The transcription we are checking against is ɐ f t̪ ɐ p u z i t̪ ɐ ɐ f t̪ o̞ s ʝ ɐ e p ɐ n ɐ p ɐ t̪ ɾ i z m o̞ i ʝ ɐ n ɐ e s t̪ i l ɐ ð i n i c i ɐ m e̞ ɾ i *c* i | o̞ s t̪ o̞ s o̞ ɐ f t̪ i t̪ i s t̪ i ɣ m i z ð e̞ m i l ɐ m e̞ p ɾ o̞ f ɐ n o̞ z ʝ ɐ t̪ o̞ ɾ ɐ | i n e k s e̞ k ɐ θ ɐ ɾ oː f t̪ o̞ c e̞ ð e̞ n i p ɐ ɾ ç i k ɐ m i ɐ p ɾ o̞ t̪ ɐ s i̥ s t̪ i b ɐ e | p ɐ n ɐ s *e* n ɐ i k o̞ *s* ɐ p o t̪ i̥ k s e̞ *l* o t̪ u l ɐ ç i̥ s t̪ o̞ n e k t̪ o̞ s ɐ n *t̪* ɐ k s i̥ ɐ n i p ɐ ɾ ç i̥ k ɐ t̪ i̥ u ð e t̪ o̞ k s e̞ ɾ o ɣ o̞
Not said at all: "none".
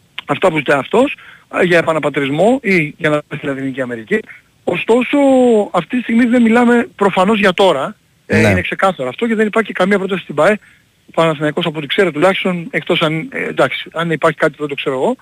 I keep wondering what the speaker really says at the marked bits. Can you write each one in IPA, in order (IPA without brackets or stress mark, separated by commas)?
c, i, s, ɾ, d̪